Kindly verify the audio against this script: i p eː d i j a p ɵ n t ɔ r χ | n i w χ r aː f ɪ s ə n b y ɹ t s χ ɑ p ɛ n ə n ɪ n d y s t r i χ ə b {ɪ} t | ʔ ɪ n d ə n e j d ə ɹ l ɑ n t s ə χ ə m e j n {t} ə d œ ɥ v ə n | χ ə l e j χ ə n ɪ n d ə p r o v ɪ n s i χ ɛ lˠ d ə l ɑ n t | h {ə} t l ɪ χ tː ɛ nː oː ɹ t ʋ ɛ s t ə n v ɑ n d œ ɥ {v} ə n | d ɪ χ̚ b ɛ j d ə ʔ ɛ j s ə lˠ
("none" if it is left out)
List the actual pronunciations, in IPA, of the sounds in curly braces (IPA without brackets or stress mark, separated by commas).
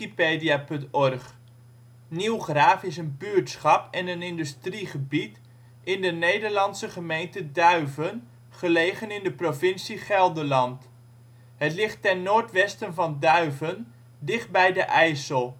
i, t, ə, v